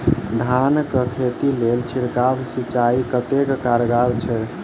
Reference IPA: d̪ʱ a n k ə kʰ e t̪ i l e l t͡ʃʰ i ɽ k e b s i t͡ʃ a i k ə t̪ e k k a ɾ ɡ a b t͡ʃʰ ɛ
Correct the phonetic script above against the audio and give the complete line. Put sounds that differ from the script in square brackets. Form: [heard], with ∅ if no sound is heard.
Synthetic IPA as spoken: d̪ʱ a n k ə kʰ e t̪ i l e l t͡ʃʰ i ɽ k [a] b s i t͡ʃ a i k ə t̪ e k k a ɾ ɡ a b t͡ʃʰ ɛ